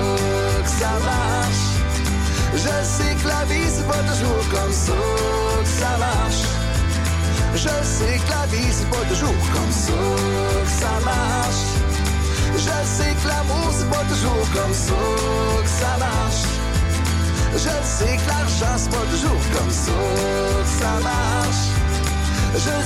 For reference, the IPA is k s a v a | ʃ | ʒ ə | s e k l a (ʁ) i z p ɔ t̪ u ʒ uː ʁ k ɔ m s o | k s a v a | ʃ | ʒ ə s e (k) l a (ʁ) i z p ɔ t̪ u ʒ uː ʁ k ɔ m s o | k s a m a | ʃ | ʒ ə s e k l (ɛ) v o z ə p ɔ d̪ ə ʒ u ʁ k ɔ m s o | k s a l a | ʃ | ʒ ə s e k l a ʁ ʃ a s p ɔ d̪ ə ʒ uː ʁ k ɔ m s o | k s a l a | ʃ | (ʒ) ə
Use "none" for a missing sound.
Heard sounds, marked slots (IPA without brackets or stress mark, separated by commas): v, k, v, a, ʒ